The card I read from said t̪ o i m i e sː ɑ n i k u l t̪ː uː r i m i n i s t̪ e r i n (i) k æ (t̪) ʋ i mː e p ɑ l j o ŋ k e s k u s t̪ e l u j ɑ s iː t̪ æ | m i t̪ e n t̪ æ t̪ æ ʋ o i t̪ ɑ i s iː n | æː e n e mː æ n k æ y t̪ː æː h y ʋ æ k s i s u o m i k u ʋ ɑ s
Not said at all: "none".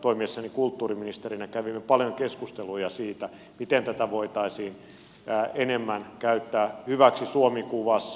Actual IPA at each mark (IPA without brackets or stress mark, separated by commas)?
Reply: æ, none